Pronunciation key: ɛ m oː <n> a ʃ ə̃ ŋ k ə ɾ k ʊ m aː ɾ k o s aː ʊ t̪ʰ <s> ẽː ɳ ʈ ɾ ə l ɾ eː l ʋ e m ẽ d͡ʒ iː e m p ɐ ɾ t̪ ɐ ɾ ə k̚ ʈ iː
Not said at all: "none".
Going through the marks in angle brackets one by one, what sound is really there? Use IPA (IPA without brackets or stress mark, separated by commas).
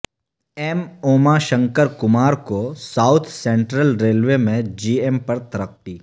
m, s